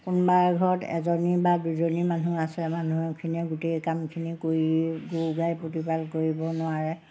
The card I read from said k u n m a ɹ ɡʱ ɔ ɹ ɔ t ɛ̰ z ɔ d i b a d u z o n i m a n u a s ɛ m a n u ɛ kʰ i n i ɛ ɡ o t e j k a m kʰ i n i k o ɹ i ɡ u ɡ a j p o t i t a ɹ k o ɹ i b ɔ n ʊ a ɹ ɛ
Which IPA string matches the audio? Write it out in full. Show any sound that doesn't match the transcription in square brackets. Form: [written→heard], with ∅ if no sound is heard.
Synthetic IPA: k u n [m→b] a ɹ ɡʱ ɔ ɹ ɔ t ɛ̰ z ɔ [d→n] i b a d u z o n i m a n u a s ɛ m a n u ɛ kʰ i n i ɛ ɡ [o→u] t e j k a m kʰ i n i k o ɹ i ɡ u ɡ a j p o t i [t→p] a [ɹ→l] k o ɹ i b ɔ n ʊ a ɹ ɛ